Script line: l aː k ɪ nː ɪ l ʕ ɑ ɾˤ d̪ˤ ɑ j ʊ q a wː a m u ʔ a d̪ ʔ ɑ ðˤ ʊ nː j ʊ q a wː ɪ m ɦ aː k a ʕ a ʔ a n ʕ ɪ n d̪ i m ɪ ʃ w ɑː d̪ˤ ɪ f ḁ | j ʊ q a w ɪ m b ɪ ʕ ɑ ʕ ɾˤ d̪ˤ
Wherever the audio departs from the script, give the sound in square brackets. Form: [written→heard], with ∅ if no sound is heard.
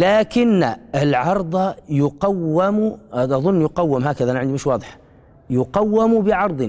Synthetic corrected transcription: l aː k ɪ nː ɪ l ʕ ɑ ɾˤ d̪ˤ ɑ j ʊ q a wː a m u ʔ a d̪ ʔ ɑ ðˤ ʊ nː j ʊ q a wː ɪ m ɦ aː k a [ʕ→ð] a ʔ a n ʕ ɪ n d̪ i m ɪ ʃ w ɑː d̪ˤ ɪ [f→ħ] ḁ | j ʊ q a [w→wː] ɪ m b ɪ ʕ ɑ [ʕ→∅] ɾˤ d̪ˤ